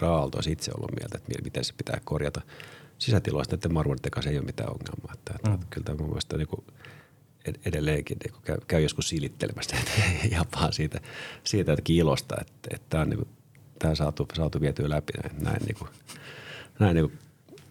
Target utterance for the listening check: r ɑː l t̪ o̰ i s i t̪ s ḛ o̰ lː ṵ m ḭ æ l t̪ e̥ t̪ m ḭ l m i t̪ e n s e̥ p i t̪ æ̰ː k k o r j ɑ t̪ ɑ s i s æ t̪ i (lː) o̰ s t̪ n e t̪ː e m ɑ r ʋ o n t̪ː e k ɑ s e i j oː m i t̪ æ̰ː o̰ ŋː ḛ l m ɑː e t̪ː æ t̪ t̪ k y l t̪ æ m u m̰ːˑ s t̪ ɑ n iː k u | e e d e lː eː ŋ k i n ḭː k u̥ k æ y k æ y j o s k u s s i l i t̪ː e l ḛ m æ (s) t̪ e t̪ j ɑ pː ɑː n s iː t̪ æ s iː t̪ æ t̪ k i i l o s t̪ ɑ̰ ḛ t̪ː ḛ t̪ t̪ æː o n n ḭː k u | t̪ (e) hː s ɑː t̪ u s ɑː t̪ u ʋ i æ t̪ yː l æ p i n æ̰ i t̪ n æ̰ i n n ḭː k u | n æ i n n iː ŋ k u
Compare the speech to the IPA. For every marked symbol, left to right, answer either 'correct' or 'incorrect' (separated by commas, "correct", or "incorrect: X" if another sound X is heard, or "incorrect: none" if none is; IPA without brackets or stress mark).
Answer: incorrect: l, correct, incorrect: æ